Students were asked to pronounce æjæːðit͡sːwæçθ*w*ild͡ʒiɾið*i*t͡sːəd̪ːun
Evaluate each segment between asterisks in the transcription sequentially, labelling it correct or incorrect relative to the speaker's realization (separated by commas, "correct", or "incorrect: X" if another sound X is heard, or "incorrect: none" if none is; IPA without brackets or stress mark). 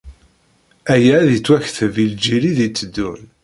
incorrect: v, correct